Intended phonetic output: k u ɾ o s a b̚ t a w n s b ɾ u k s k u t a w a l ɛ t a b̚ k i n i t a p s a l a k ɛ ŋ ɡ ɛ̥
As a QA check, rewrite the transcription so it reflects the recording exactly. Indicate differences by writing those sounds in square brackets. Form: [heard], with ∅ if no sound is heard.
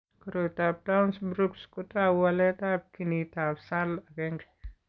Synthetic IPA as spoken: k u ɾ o [t] a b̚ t a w n s b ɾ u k s k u t a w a l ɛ t a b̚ k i n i t a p s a l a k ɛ ŋ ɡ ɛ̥